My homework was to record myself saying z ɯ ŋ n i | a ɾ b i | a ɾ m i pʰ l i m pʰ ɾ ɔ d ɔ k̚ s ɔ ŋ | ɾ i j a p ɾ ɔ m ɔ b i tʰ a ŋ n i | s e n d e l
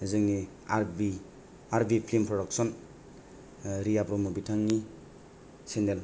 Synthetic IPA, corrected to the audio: z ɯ ŋ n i | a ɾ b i | a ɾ b i pʰ l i m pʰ ɾ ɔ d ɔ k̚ s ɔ n | ɾ i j a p ɾ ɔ m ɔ b i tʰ a ŋ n i | s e n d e l